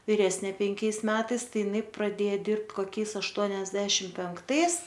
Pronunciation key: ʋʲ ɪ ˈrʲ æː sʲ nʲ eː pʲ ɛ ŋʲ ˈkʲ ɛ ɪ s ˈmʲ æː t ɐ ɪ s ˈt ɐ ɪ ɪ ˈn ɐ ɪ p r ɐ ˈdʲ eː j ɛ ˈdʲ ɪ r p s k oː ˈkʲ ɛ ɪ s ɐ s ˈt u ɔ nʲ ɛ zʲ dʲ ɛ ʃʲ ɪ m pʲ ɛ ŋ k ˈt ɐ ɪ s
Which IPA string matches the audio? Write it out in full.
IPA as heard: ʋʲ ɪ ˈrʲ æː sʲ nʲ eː pʲ ɛ ŋʲ ˈkʲ ɛ ɪ s ˈmʲ æː t ɐ ɪ s ˈt ɐ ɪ ɪ ˈn ɐ ɪ p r ɐ ˈdʲ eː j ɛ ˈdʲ ɪ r p t k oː ˈkʲ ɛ ɪ s ɐ ʃ ˈt u ɔ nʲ ɛ zʲ dʲ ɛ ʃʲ ɪ m pʲ ɛ ŋ k ˈt ɐ ɪ s